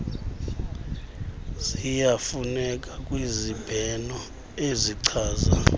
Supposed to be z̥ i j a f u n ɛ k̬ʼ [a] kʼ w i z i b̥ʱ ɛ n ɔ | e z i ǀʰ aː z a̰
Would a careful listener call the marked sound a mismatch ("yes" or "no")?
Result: no